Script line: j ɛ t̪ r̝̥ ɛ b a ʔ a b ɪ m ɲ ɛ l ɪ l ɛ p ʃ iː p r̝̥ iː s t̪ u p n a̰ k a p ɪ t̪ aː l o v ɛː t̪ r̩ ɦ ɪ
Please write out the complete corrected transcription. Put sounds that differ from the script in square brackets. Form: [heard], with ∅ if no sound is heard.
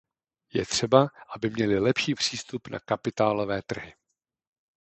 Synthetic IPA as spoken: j ɛ t̪ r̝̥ ɛ b a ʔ a b ɪ m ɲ ɛ l ɪ l ɛ p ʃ iː p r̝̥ iː s t̪ u p n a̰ k a p ɪ t̪ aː l o v ɛː t̪ r̩ ɦ ɪ